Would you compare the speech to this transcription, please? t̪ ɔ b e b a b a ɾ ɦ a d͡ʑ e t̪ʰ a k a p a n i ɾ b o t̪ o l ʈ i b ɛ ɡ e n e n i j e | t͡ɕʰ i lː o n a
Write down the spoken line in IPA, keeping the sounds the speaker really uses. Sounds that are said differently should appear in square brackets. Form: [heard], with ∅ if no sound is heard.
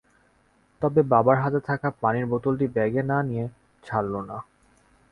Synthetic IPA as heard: t̪ ɔ b e b a b a ɾ ɦ a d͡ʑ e t̪ʰ a k a p a n i ɾ b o t̪ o l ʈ i b ɛ ɡ e n [a] n i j e | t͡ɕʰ [a] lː o n a